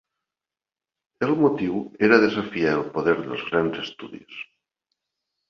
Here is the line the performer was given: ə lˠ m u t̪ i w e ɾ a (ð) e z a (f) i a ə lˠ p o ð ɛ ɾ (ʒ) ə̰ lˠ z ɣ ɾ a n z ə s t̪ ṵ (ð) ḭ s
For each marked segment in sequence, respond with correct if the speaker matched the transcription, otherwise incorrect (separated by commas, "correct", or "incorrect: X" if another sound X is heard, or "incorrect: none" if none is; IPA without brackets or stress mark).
correct, correct, incorrect: ð, correct